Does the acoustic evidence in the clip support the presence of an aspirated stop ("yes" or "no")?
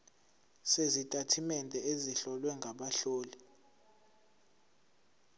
yes